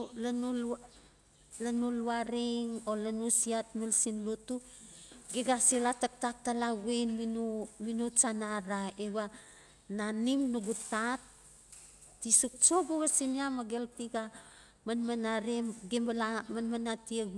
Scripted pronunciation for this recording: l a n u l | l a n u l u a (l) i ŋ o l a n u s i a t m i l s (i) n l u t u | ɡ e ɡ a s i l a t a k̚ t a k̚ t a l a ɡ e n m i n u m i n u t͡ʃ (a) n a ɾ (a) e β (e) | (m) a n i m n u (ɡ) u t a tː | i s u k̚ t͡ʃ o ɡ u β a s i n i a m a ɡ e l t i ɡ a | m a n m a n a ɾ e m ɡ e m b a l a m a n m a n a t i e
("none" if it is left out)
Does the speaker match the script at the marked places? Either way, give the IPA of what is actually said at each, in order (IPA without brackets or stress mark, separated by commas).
ɾ, i, a, a, a, n, ɡ